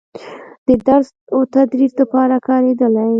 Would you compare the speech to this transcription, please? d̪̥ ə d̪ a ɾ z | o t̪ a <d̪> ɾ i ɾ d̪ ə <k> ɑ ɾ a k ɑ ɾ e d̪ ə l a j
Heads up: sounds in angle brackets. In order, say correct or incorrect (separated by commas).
correct, incorrect